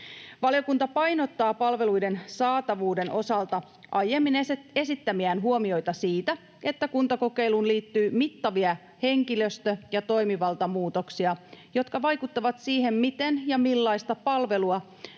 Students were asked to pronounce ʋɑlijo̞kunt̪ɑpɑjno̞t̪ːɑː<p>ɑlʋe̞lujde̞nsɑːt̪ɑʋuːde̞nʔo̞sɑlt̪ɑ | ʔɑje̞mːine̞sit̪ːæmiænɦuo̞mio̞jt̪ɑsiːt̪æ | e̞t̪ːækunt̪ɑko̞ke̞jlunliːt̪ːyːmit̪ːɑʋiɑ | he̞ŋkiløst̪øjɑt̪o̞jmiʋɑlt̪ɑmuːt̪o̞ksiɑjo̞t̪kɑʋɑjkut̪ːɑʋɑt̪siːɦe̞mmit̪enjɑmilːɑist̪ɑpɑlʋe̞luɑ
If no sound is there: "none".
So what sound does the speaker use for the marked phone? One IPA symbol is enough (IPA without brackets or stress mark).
p